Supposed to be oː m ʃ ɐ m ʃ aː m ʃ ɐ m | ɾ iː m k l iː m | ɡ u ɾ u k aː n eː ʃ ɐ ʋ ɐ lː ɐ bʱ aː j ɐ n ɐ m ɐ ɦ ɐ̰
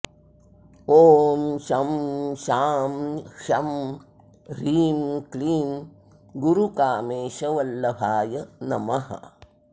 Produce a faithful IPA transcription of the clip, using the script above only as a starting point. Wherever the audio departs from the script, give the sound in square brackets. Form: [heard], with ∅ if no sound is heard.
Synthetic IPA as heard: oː m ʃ ɐ m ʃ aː m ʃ ɐ m | ɾ iː m k l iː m | ɡ u ɾ u k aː [m] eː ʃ ɐ ʋ ɐ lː ɐ bʱ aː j ɐ n ɐ m ɐ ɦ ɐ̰